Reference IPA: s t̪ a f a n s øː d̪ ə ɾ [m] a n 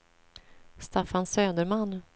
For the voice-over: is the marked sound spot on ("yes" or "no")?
yes